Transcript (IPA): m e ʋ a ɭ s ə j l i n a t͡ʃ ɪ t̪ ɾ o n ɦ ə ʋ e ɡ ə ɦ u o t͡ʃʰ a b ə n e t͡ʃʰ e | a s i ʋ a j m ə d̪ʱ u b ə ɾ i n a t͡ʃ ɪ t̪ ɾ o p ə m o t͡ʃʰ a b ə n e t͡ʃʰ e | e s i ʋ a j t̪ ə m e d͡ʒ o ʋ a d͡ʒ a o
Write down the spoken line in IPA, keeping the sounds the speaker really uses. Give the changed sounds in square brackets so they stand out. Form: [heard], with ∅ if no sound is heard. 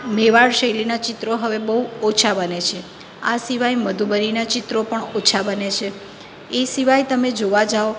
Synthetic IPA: m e ʋ a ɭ [ʃ] ə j l i n a t͡ʃ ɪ t̪ ɾ o [∅] ɦ ə ʋ e [b] ə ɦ u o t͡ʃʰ a b ə n e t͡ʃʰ e | a s i ʋ a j m ə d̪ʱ u b ə ɾ i n a t͡ʃ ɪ t̪ ɾ o p ə [ɳ] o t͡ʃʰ a b ə n e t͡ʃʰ e | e s i ʋ a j t̪ ə m e d͡ʒ o ʋ a d͡ʒ a o

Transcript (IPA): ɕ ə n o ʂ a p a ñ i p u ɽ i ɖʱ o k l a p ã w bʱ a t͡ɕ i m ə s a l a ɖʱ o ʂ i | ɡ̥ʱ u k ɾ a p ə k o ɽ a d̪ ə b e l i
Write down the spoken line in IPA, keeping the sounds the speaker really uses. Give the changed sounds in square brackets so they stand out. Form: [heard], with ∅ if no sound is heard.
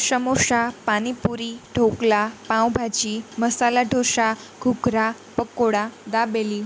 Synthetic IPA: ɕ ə [m] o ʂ a p a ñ i p u [ɾ] i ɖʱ o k l a p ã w bʱ a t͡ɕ i m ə s a l a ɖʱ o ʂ [a] | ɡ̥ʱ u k ɾ a p ə k o ɽ a d̪ [a] b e l i

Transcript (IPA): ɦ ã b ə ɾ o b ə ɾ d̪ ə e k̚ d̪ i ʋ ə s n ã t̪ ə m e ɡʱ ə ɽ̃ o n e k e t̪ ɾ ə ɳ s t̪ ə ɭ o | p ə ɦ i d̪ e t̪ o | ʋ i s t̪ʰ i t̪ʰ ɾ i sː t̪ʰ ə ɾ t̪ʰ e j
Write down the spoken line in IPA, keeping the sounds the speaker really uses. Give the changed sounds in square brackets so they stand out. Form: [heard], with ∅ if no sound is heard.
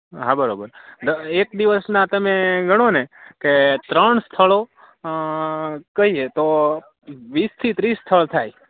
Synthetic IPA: ɦ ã b ə ɾ o b ə ɾ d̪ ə e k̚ d̪ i ʋ ə s n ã t̪ ə m e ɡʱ ə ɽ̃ o n e k e t̪ ɾ ə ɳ s [t̪ʰ] ə ɭ o | [k] ə ɦ i [∅] e t̪ o | ʋ i s t̪ʰ i [t̪] ɾ i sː t̪ʰ ə [ɭ] t̪ʰ [a] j

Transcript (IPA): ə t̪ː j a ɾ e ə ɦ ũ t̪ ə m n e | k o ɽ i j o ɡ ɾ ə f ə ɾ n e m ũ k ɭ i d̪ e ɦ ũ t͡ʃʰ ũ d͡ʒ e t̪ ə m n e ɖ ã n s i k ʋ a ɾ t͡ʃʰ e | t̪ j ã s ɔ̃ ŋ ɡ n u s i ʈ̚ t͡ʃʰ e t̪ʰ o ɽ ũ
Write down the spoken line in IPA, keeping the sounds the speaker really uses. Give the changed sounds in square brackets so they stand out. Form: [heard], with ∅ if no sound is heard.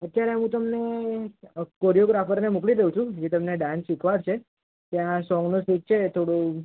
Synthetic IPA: ə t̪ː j a ɾ e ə ɦ ũ t̪ ə m n e | k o [ɾ] i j o ɡ ɾ [a] f ə ɾ n e m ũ k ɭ i d̪ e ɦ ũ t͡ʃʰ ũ d͡ʒ e t̪ ə m n e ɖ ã n s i k ʋ a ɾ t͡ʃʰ e | t̪ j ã s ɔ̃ ŋ ɡ n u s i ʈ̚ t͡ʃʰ e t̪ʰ o ɽ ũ

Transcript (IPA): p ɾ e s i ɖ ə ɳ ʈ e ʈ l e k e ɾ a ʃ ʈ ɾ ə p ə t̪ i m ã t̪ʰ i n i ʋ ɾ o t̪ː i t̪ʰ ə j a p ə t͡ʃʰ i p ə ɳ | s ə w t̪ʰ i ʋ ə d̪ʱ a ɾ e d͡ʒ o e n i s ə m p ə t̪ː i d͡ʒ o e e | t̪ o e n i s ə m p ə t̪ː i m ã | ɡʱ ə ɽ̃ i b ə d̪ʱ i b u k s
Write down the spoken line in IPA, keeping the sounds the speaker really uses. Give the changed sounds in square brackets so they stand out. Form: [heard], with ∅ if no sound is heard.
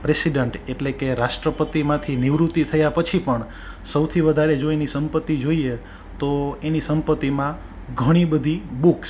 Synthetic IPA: p ɾ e s i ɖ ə ɳ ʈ e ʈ l e k e ɾ a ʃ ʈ ɾ ə p ə t̪ i m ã t̪ʰ i n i ʋ ɾ [u] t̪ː i t̪ʰ ə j a p ə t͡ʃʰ i p ə ɳ | s ə w t̪ʰ i ʋ ə d̪ʱ a ɾ e d͡ʒ o e n i s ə m p ə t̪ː i d͡ʒ o [i] e | t̪ o e n i s ə m p ə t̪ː i m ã | ɡʱ ə ɽ̃ i b ə d̪ʱ i b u k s

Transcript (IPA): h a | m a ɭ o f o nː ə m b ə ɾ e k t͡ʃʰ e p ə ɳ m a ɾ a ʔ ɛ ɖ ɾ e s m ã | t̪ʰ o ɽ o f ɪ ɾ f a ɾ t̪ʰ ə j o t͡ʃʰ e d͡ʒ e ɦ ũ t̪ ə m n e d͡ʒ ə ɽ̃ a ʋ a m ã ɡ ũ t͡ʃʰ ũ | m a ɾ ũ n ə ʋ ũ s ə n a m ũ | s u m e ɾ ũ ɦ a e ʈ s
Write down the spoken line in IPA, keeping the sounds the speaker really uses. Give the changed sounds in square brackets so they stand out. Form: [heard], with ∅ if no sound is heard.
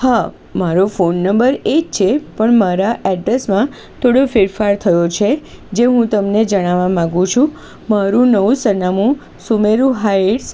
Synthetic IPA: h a | m a [ɾ] o f o nː ə m b ə ɾ e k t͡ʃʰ e p ə ɳ m a ɾ a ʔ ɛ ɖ ɾ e s m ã | t̪ʰ o ɽ o f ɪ ɾ f a ɾ t̪ʰ ə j o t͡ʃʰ e d͡ʒ e ɦ ũ t̪ ə m n e d͡ʒ ə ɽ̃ a ʋ a m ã ɡ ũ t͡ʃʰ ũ | m a ɾ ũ n ə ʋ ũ s ə n a m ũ | s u m e ɾ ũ ɦ a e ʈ s

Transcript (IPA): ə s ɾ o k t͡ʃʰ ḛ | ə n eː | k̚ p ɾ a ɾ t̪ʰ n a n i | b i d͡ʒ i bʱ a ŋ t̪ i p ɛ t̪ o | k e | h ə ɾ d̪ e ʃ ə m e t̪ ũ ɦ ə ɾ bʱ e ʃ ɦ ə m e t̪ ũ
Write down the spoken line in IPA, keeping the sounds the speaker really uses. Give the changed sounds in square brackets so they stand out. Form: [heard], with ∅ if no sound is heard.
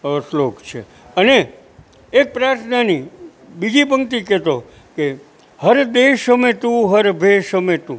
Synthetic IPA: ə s [l] o k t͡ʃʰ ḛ | ə n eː | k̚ p ɾ a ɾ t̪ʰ n a n i | b i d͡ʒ i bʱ [ə] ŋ t̪ i [k] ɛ t̪ o | k e | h ə ɾ d̪ e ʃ ə m e t̪ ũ ɦ ə ɾ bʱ e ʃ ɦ ə m e t̪ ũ

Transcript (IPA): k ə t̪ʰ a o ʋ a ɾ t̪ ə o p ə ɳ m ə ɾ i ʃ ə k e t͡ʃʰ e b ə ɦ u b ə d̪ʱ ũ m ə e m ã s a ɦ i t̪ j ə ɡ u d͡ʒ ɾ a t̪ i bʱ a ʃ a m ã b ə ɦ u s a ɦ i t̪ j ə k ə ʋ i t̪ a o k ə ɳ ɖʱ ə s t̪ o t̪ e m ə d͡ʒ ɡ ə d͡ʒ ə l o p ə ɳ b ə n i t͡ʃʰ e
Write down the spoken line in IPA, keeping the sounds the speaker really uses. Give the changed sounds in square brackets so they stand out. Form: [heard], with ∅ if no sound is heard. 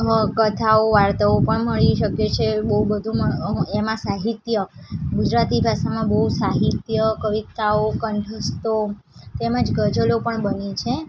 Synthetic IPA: k ə t̪ʰ a o ʋ a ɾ t̪ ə o p ə ɳ m ə [ɭ] i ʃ ə k e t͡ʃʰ e b ə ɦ u b ə d̪ʱ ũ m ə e m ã s a ɦ i t̪ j ə ɡ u d͡ʒ ɾ a t̪ i bʱ a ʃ a m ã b ə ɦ u s a ɦ i t̪ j ə k ə ʋ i t̪ a o k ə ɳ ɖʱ ə s t̪ o t̪ e m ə d͡ʒ ɡ ə d͡ʒ ə l o p ə ɳ b ə n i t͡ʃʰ e

